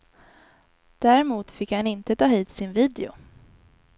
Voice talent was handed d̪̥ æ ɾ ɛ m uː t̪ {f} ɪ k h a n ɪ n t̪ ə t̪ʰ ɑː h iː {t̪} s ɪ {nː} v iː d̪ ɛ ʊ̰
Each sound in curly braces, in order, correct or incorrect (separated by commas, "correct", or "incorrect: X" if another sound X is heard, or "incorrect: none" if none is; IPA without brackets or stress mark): correct, correct, incorrect: n